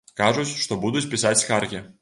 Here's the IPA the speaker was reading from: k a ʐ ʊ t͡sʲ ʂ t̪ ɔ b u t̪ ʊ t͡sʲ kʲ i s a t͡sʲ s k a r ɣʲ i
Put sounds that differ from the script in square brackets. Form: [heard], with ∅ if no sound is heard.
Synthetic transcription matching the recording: k a ʐ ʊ t͡sʲ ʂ t̪ ɔ b u [d̪] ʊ t͡sʲ [pʲ] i s a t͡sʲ s k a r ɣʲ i